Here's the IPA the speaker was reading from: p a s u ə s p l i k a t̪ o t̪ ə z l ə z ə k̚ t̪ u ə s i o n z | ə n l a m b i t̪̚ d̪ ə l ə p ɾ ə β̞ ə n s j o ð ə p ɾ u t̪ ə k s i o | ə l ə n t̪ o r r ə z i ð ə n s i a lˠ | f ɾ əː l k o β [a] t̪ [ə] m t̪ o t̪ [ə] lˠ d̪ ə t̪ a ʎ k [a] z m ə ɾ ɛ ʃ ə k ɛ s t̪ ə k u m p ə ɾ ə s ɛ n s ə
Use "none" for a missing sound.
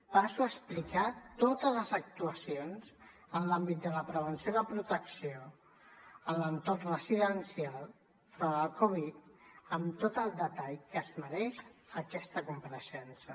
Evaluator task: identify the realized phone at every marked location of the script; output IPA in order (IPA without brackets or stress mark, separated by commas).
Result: i, ə, ə, ə